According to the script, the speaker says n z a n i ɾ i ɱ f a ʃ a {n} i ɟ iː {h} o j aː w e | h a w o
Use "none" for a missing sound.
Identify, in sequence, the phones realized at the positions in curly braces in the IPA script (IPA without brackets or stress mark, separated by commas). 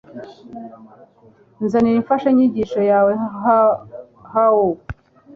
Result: ɲ, ʃ